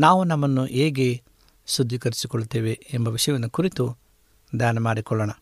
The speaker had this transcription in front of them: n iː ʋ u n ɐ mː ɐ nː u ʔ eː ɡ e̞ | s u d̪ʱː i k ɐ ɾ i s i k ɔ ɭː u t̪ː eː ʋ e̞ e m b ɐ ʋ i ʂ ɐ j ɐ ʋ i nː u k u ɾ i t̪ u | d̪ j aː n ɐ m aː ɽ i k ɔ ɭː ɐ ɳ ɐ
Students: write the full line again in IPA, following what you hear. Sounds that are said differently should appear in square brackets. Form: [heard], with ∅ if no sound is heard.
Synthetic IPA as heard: n [aː] ʋ u n ɐ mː ɐ nː u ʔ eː ɡ e̞ | s u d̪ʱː i k ɐ ɾ i s i k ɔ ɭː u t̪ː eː ʋ e̞ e m b ɐ ʋ i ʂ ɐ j ɐ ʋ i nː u k u ɾ i t̪ u | d̪ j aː n ɐ m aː ɽ i k ɔ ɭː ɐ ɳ ɐ